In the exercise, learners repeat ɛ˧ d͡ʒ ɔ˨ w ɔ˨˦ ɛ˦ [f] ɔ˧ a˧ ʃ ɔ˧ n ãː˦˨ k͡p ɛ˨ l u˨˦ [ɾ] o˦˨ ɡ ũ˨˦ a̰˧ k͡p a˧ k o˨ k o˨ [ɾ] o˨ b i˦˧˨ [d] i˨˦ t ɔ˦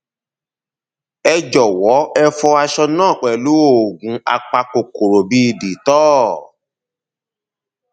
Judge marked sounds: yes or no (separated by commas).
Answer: yes, no, yes, yes